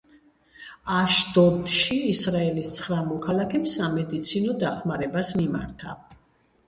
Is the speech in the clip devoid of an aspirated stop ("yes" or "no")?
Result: no